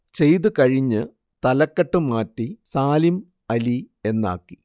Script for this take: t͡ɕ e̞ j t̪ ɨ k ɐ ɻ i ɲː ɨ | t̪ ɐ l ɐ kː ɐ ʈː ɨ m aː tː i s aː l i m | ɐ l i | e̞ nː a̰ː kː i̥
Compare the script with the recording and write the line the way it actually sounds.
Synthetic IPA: t͡ɕ e̞ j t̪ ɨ k ɐ ɻ i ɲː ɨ | t̪ ɐ l ɐ kː ɐ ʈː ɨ m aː tː i s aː l i m | ɐ l i | e̞ nː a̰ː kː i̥